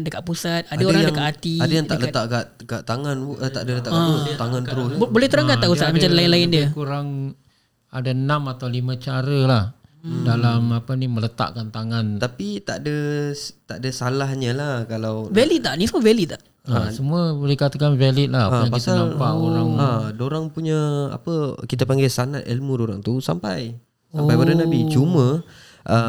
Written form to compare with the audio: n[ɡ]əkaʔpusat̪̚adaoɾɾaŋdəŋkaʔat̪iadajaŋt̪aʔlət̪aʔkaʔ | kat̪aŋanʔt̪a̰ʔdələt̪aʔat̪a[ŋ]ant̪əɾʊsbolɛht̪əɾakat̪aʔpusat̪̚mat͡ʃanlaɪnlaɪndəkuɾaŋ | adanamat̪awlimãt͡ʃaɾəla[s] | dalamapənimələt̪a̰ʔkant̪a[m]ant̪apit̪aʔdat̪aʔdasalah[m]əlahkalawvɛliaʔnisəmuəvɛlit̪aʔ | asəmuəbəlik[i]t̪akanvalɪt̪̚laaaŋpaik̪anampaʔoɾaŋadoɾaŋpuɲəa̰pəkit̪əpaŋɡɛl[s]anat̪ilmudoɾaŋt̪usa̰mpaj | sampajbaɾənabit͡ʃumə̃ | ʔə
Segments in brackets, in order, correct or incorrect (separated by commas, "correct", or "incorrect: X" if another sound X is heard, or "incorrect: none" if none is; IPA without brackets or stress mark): incorrect: d, correct, incorrect: h, incorrect: ŋ, incorrect: ɲ, incorrect: a, correct